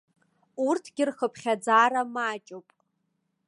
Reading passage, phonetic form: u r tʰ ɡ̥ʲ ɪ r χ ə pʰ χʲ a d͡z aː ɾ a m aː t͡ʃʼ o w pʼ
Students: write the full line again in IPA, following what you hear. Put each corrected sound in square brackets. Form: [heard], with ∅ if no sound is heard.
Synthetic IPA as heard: u r tʰ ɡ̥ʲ ɪ r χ ə pʰ χʲ a d͡z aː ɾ a m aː t͡ʃʼ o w pʼ